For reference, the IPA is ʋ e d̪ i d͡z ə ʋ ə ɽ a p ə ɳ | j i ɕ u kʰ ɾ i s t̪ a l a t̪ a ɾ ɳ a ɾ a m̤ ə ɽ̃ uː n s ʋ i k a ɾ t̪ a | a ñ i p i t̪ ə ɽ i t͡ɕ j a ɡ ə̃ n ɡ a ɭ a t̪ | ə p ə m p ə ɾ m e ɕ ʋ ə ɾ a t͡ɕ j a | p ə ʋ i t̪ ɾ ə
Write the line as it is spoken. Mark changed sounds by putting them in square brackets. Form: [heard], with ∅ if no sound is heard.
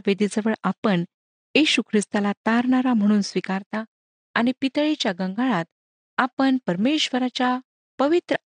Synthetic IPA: ʋ e d̪ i d͡z ə ʋ ə [ɭ] a p ə ɳ | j i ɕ u kʰ ɾ i s t̪ a l a t̪ a ɾ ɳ a ɾ a m̤ ə ɽ̃ uː n s ʋ i k a ɾ t̪ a | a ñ i p i t̪ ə [ɭ] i t͡ɕ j a ɡ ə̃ [ŋ] ɡ a ɭ a t̪ | [a] p ə [ɳ] p ə ɾ m e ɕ ʋ ə ɾ a t͡ɕ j a | p ə ʋ i t̪ ɾ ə